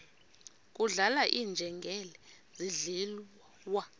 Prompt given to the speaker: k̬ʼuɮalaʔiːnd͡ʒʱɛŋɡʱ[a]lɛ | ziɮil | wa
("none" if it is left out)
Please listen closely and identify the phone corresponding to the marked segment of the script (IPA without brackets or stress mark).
ɛ